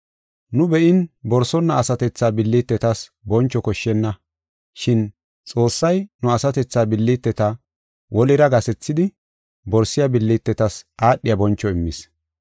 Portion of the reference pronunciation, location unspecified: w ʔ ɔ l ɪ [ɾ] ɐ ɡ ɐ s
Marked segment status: correct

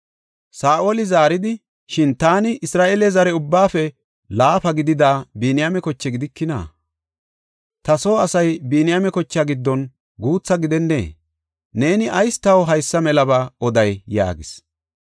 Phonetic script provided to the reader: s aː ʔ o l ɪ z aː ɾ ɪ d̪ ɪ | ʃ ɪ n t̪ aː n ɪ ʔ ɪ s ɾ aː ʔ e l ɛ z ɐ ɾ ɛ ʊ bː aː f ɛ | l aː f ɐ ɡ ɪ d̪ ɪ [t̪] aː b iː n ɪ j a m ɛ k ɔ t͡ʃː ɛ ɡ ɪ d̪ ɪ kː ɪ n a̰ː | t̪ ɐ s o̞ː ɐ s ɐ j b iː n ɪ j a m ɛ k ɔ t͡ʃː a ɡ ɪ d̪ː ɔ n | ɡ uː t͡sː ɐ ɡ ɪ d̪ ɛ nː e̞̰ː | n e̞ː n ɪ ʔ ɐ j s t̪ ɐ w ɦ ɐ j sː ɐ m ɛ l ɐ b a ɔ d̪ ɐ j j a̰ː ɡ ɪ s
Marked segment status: incorrect: d̪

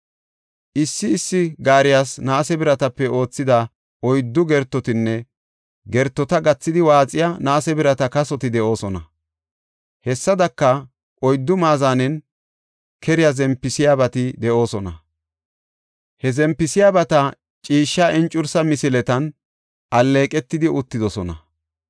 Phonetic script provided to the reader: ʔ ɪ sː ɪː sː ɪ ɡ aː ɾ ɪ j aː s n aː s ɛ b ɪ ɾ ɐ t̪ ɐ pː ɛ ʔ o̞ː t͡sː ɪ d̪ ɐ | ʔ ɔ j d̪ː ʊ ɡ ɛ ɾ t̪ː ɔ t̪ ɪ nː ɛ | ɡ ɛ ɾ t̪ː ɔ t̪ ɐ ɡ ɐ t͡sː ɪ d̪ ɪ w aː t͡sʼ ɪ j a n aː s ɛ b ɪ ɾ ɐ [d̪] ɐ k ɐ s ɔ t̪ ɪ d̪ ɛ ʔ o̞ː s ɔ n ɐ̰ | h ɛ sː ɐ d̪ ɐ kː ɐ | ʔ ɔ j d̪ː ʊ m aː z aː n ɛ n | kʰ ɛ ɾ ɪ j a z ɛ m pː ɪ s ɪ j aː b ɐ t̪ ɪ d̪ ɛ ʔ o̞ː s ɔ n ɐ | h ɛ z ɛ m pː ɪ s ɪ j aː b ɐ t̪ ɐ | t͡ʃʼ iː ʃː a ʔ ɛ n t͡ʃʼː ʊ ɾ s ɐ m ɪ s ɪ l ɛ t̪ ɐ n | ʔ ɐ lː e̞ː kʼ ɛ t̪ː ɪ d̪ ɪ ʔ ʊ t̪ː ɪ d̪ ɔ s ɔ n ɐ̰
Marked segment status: incorrect: t̪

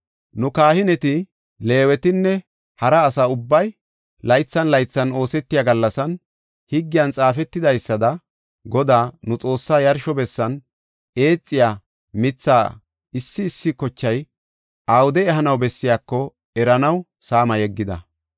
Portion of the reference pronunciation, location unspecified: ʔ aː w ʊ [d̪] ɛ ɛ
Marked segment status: correct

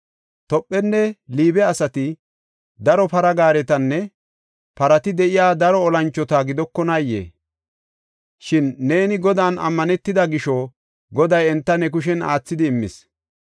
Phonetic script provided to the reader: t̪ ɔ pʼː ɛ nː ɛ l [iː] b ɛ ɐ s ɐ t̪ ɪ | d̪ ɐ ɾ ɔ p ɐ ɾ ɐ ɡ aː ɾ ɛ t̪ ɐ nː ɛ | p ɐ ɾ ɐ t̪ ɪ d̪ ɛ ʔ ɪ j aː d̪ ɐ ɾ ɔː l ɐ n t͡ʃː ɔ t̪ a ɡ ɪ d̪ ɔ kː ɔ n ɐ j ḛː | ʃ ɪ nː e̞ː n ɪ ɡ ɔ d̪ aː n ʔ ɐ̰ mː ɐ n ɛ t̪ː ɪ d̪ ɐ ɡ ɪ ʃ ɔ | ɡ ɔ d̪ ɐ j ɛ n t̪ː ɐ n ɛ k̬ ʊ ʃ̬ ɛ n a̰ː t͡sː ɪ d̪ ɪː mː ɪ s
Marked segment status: correct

